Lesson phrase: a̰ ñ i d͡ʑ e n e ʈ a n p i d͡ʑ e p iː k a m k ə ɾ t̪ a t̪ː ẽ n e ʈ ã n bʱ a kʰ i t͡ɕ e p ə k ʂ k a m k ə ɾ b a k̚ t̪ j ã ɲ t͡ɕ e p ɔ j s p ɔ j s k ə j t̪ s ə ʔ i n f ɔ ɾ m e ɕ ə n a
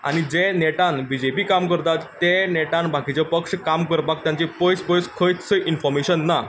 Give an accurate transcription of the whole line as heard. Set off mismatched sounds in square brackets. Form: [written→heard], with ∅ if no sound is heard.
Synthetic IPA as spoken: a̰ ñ i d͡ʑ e n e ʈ a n [p→b] i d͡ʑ e p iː k a m k ə ɾ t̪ a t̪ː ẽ n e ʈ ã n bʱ a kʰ i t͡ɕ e p ə k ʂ k a m k ə ɾ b a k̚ t̪ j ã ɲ t͡ɕ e p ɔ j s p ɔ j s [k→kʰ] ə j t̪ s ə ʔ i n f ɔ ɾ m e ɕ ə [n→nː] a